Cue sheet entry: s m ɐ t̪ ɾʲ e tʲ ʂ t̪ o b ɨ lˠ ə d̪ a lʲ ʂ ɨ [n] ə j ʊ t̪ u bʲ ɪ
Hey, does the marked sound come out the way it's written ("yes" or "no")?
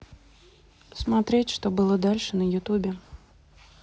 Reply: yes